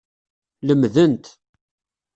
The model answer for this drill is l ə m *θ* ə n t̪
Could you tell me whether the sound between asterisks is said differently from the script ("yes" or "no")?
yes